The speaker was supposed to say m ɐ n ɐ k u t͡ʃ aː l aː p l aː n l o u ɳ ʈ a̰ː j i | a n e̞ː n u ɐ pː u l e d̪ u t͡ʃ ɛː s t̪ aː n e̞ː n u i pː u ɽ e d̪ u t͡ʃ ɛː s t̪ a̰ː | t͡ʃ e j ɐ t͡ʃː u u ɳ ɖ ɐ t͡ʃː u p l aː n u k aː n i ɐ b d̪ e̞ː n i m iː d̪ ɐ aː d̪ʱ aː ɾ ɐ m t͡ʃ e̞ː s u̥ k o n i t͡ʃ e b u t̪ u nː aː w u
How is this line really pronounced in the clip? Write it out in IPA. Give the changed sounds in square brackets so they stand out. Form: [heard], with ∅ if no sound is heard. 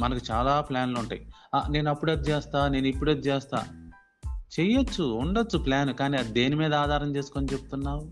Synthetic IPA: m ɐ n ɐ k u t͡ʃ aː l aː p l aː n l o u ɳ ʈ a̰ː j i | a n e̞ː n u ɐ pː u [ɽ] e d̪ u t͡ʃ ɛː s t̪ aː n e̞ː n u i pː u ɽ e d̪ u t͡ʃ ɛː s t̪ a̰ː | t͡ʃ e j ɐ t͡ʃː u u ɳ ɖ ɐ t͡ʃː u p l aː n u k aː n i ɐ [∅] d̪ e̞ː n i m iː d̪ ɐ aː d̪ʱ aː ɾ ɐ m t͡ʃ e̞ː s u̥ k o n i t͡ʃ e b u t̪ u nː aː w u